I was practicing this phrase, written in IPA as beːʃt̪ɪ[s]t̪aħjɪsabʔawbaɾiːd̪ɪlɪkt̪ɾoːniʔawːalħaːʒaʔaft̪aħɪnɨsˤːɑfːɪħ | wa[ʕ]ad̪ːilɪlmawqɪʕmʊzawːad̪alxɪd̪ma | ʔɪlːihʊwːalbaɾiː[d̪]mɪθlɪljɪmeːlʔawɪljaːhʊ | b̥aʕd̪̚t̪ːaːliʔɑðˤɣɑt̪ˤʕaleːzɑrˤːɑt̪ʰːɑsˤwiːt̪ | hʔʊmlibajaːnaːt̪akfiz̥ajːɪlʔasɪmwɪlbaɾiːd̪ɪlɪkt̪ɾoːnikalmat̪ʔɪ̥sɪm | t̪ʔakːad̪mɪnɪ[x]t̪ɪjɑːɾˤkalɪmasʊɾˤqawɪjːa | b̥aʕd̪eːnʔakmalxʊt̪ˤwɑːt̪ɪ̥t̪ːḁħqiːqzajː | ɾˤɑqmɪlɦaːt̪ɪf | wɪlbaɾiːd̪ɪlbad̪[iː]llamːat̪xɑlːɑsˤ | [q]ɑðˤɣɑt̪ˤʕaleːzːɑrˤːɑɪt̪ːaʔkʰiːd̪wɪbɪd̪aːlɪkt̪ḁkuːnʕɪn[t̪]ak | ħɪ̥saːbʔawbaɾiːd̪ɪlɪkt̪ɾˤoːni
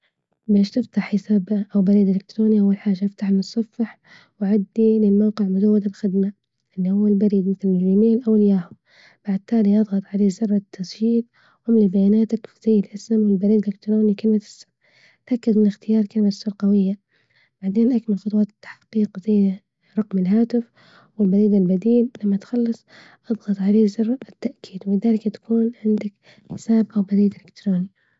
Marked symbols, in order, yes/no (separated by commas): no, yes, yes, yes, yes, no, no